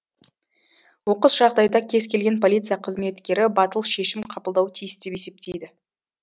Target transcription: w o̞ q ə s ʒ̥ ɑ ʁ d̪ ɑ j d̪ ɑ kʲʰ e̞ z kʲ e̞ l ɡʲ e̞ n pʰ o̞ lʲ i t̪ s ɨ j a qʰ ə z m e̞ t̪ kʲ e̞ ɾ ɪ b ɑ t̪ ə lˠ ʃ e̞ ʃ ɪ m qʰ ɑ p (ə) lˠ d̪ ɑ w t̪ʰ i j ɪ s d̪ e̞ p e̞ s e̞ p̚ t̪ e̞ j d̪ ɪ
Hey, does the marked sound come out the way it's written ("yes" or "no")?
yes